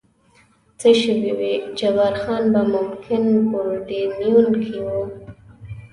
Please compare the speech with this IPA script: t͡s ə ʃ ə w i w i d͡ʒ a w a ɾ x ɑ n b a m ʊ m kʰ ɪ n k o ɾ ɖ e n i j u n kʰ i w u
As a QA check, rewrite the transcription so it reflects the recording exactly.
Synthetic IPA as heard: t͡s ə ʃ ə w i w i d͡ʒ a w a ɾ x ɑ n b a m ʊ m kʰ ɪ n k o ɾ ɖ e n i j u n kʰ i w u